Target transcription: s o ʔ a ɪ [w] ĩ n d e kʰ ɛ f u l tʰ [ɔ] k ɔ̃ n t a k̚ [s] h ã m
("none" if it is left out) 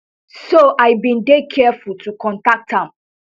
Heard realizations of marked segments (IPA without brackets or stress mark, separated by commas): b, u, t